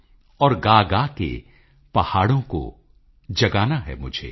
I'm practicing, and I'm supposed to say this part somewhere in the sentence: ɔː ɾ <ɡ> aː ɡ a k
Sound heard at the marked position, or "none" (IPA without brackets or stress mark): ɡ